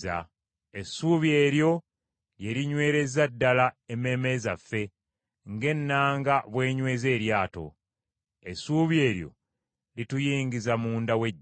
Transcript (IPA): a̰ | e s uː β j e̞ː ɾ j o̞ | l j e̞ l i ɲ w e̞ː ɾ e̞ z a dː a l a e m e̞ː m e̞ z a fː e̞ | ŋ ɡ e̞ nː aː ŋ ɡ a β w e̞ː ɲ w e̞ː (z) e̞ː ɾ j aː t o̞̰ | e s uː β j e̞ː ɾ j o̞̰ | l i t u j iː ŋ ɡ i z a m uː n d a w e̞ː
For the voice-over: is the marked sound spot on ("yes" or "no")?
yes